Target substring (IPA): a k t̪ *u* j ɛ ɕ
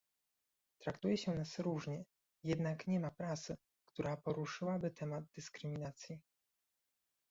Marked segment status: correct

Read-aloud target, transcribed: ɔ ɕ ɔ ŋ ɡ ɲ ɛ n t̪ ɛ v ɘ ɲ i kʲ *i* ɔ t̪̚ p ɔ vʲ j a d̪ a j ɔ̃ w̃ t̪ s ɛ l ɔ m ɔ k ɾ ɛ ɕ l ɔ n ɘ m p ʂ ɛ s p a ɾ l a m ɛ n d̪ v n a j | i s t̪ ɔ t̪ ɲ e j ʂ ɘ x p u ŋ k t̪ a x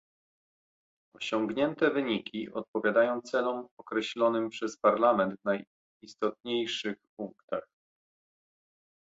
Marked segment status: correct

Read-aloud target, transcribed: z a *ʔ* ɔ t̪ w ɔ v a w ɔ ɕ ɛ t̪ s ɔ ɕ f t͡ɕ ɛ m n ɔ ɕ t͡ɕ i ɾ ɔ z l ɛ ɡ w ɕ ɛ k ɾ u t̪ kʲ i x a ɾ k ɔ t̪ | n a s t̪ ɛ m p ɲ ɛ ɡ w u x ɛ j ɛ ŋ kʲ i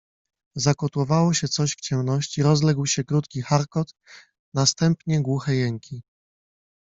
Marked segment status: incorrect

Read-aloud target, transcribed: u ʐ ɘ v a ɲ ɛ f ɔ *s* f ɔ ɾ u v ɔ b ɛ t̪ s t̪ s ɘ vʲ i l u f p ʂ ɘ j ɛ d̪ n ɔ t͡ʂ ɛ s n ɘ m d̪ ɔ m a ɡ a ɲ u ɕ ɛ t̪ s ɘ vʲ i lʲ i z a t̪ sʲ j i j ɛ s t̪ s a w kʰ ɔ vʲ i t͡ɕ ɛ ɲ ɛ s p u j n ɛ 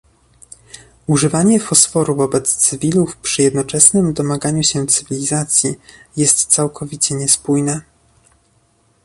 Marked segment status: correct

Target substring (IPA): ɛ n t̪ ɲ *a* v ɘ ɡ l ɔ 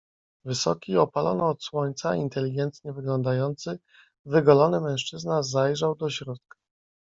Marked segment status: incorrect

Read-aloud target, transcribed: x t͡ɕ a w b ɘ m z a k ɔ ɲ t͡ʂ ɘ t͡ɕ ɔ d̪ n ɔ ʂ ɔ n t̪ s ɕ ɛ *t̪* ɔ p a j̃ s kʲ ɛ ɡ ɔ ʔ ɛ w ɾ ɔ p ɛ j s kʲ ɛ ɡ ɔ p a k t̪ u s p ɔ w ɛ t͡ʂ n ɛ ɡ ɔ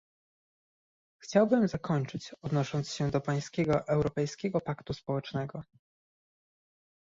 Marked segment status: incorrect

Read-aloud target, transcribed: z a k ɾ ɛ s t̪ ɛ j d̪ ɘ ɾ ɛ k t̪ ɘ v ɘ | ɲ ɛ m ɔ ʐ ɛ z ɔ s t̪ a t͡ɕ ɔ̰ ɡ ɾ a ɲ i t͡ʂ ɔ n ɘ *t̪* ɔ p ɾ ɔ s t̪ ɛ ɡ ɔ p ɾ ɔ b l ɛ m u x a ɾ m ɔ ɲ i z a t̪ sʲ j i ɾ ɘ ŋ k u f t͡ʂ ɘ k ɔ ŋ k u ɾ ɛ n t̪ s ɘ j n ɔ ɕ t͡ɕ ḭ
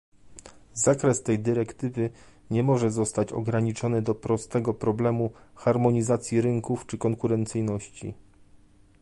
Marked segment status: incorrect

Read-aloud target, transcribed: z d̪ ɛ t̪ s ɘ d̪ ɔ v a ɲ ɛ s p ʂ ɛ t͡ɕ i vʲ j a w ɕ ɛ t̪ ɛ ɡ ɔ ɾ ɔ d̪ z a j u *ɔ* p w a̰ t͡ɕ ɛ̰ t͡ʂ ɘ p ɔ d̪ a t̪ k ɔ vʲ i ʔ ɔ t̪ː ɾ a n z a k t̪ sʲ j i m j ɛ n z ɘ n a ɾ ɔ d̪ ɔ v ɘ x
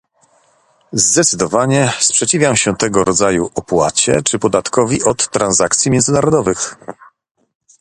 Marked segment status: correct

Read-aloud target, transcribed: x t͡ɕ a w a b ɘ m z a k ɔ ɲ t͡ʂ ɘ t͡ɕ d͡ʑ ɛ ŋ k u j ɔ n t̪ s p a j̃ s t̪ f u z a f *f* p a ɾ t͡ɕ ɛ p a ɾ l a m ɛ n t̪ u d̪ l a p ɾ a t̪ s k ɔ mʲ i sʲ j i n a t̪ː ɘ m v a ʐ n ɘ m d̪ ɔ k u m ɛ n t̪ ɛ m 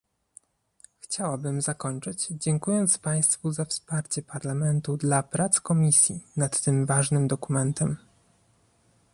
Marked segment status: incorrect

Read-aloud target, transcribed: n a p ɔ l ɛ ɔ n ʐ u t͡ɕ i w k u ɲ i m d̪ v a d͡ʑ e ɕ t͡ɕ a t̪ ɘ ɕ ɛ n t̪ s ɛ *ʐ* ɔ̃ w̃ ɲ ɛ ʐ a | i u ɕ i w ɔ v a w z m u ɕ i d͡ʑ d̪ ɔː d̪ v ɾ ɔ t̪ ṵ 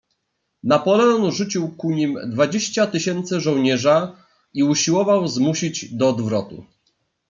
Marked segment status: correct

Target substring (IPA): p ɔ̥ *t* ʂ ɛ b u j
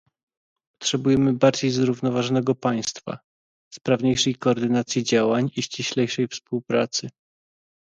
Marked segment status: correct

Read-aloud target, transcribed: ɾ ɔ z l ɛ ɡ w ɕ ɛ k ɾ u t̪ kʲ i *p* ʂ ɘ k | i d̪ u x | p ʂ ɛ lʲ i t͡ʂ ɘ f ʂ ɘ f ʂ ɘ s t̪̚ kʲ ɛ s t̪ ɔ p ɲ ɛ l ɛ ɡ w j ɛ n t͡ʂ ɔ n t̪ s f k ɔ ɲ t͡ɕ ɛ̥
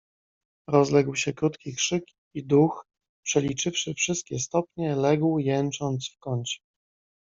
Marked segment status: incorrect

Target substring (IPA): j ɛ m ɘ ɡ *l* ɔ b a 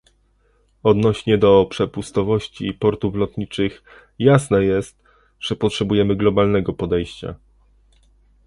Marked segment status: correct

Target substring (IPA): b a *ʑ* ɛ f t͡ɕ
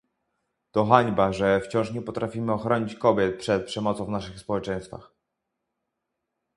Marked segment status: incorrect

